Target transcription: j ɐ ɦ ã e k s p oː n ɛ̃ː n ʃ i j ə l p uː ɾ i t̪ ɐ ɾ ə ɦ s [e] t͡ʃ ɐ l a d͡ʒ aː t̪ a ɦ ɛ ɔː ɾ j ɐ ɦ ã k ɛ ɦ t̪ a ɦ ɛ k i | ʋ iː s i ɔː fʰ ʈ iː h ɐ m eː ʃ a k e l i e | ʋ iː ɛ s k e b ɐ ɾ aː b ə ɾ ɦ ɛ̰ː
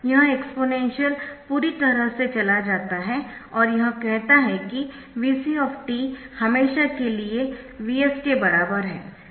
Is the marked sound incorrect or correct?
correct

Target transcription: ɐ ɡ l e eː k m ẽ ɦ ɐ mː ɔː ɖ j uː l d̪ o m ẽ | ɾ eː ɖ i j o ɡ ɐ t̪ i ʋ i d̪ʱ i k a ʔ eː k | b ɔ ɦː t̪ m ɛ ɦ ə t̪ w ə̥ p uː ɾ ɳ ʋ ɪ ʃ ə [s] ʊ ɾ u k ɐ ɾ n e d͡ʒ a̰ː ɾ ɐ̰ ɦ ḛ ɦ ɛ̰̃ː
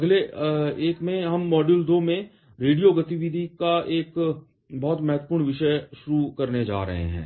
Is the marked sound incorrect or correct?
incorrect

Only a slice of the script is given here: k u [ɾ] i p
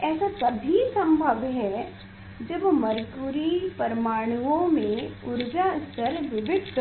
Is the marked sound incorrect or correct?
correct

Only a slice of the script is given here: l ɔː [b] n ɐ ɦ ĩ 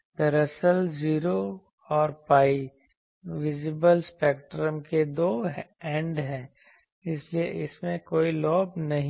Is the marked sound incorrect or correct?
correct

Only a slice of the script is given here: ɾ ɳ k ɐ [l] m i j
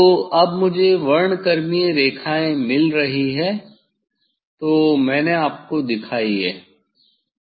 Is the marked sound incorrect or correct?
incorrect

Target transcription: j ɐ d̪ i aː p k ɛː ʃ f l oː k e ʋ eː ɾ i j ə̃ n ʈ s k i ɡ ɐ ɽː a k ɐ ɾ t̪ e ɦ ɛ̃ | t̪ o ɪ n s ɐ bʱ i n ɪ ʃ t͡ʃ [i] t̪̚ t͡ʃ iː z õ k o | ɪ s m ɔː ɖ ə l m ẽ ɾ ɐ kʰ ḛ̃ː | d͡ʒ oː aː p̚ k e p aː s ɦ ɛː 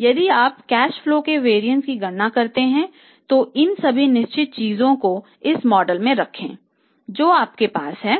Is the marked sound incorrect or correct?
incorrect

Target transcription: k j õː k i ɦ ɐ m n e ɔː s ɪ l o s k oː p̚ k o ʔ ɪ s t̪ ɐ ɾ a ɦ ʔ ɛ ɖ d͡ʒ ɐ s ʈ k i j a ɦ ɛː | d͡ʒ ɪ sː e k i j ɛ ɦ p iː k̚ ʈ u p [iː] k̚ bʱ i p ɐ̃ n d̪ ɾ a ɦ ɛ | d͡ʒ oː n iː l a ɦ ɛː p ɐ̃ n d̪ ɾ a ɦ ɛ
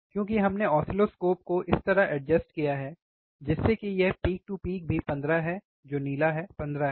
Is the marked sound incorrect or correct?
correct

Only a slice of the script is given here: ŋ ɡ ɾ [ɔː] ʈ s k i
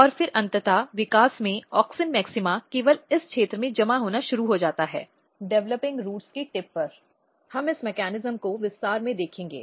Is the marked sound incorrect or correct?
incorrect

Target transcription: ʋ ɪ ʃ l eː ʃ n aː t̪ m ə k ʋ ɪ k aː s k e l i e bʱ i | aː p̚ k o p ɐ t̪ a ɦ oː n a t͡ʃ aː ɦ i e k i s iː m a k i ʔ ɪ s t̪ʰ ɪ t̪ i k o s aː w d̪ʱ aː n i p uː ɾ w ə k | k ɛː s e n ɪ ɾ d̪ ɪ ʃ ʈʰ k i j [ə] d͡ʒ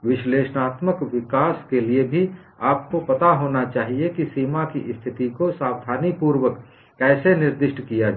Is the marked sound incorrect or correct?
incorrect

